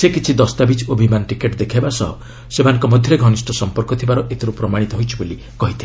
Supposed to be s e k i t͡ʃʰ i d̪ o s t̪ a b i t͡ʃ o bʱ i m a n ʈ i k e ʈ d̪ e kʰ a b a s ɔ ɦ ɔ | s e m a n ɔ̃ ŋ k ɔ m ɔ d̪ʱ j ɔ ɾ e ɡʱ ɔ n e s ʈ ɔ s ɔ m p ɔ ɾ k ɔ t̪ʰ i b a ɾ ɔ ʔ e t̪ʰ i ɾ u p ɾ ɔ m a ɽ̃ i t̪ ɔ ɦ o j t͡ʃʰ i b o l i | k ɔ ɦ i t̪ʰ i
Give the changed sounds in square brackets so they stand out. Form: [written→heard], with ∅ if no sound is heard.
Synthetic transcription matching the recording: s e k i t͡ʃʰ i d̪ [o→ɔ] s t̪ a b i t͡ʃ o bʱ i m a n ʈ i k e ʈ d̪ e kʰ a b a s ɔ ɦ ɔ | s e m a n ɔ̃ ŋ k ɔ m ɔ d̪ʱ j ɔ ɾ e ɡʱ ɔ n [e→i] s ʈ ɔ s ɔ m p ɔ ɾ k ɔ t̪ʰ i b a ɾ ɔ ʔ e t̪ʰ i ɾ u p ɾ ɔ m a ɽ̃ i t̪ ɔ ɦ o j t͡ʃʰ i b o l i | k ɔ ɦ i t̪ʰ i